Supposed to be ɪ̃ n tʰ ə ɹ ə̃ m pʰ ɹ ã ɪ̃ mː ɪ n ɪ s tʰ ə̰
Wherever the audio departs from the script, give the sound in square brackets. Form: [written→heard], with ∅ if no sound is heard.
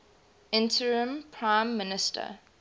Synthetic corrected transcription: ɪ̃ n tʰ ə ɹ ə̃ m pʰ ɹ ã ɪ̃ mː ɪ n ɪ s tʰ ə̰